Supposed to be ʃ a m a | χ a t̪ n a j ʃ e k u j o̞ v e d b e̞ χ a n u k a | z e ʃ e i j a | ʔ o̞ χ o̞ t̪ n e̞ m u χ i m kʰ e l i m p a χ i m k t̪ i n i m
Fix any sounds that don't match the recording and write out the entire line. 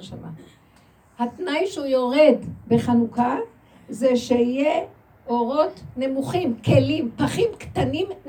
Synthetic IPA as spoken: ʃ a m a | h a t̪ n a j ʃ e u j o̞ ʁ e d b e̞ χ a n u k a | z e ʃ e i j e | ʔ o̞ ʁ o̞ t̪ n e̞ m u χ i m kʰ e l i m p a χ i m k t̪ a n i m